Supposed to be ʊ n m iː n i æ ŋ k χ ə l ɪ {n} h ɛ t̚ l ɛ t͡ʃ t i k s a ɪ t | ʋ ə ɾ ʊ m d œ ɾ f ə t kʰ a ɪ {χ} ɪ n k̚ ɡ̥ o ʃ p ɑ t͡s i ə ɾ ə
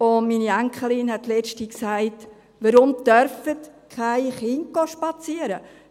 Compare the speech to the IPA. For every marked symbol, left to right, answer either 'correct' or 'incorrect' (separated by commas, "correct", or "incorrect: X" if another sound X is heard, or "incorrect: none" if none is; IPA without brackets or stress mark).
correct, correct